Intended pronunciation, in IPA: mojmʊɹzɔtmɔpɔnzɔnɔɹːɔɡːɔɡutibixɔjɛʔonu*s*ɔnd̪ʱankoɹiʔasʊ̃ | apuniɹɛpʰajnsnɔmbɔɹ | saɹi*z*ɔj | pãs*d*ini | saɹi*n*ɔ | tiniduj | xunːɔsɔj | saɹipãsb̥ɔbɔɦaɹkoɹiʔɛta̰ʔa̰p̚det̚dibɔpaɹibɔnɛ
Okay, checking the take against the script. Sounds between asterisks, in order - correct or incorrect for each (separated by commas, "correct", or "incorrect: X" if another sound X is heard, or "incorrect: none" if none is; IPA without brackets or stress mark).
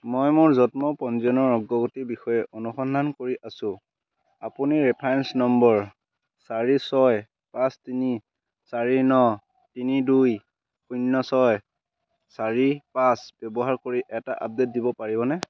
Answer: incorrect: x, incorrect: s, incorrect: t, correct